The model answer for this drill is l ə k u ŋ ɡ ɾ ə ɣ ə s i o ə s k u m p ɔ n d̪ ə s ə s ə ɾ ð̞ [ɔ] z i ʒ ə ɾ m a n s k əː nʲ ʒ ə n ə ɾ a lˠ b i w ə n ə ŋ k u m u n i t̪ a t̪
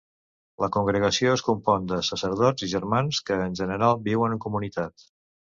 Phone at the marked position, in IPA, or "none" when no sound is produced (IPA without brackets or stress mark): ɔ